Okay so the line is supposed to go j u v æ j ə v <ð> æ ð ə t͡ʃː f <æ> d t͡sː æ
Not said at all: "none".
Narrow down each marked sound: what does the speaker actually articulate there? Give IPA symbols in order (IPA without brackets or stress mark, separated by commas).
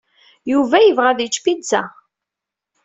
ʁ, i